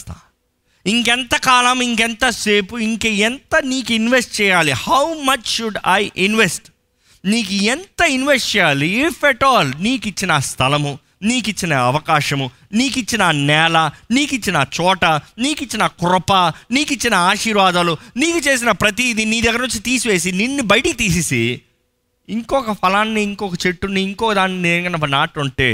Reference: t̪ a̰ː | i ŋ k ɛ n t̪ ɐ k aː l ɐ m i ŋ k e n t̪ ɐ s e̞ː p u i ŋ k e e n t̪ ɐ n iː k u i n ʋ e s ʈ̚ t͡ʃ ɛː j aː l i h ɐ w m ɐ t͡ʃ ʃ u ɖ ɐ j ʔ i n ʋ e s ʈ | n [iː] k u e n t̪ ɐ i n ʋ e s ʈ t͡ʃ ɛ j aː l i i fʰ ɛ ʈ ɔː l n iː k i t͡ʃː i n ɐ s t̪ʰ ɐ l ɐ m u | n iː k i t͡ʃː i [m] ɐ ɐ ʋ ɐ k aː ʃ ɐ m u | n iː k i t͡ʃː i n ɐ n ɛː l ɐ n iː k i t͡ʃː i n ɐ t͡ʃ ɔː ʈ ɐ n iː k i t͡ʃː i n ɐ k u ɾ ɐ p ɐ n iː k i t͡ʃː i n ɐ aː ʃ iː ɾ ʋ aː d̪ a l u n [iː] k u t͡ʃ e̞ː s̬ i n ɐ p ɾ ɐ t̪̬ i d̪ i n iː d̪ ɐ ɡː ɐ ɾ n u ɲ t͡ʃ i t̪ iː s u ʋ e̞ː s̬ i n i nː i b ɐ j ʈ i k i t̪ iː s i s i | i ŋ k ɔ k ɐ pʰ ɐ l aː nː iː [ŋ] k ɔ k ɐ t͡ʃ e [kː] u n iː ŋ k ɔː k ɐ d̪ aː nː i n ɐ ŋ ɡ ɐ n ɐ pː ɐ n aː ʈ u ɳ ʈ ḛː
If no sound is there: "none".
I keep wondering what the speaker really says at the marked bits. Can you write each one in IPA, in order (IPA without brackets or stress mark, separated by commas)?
iː, n, iː, ŋ, ʈː